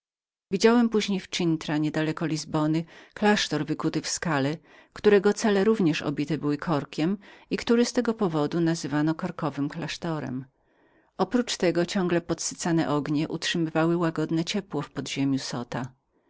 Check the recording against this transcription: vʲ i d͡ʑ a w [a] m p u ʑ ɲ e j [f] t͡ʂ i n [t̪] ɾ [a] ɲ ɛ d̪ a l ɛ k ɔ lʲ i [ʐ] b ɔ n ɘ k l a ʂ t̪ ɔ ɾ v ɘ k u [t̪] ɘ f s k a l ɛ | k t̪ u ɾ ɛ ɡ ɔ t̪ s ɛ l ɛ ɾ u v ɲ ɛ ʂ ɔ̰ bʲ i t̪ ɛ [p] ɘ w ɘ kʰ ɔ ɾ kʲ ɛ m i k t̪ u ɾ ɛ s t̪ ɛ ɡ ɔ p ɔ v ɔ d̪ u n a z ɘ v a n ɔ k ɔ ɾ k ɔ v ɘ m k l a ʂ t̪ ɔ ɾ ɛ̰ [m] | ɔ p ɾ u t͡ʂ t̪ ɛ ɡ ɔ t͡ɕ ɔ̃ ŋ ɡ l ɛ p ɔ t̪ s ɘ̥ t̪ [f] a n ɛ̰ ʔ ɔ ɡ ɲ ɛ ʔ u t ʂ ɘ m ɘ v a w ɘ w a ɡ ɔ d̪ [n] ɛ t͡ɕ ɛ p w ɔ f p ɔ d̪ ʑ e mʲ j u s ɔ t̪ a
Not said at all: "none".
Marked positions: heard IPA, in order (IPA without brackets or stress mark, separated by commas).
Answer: ɛ, f, t̪, a, z, t̪, b, m, s, n